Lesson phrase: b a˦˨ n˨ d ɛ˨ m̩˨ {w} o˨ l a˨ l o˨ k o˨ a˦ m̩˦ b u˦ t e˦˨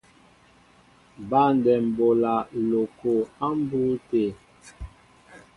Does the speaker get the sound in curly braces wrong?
yes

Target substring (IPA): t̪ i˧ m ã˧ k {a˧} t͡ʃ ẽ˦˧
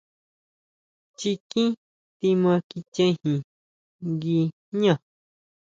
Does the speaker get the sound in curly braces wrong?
yes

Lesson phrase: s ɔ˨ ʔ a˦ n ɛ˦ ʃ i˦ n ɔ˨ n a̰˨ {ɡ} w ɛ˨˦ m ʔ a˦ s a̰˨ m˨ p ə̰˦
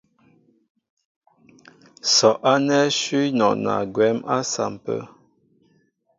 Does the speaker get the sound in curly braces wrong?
no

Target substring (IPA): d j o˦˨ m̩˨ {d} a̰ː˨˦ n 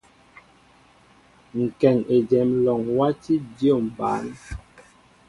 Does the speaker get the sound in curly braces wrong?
yes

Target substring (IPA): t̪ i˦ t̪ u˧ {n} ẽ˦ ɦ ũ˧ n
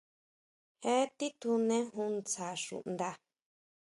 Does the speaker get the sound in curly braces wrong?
no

